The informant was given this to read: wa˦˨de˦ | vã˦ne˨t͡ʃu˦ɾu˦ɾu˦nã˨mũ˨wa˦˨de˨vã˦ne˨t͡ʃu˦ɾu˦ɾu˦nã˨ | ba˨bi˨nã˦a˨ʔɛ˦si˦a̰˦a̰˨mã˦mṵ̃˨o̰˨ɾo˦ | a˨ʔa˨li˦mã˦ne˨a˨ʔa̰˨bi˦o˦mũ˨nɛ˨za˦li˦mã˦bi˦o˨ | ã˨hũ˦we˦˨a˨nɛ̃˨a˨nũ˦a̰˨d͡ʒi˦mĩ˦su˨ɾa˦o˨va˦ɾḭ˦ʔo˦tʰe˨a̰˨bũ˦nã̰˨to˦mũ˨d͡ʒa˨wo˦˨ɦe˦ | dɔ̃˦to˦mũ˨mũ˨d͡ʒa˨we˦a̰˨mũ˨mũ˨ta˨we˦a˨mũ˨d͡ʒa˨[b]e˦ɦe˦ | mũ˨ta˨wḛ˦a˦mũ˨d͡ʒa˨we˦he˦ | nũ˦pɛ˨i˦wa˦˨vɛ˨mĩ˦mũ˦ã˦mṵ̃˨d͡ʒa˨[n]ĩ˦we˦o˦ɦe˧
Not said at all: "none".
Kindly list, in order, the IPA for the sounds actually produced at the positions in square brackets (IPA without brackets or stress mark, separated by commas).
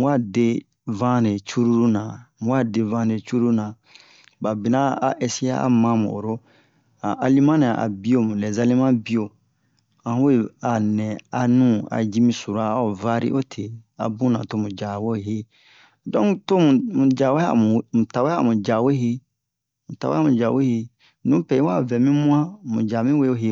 w, m